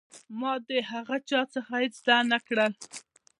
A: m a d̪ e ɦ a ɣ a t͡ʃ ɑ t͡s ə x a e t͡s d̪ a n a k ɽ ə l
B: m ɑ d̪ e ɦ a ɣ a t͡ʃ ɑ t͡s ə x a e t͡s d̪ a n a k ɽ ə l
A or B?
B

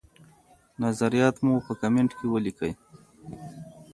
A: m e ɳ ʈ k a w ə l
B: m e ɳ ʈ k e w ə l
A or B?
B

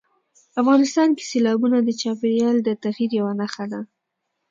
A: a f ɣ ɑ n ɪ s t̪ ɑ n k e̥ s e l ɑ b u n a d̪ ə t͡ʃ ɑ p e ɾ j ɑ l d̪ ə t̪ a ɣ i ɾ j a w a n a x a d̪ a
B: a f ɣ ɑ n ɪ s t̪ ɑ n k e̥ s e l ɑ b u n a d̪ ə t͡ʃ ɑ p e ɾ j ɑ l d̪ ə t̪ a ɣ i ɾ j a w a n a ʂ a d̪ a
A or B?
A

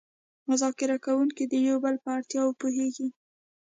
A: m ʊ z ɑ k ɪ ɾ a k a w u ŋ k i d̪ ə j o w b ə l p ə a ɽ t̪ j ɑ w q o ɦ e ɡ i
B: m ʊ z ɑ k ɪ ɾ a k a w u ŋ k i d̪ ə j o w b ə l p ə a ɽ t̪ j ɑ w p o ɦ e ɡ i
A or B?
B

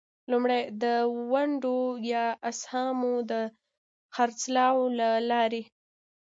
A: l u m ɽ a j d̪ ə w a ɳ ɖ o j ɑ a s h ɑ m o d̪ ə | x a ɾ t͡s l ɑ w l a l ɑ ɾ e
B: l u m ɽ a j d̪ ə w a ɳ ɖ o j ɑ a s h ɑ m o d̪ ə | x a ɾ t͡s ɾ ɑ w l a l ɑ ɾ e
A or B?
A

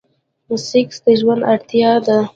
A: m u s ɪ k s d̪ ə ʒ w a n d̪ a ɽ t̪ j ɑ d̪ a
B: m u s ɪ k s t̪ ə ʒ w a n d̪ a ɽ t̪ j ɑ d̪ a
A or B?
A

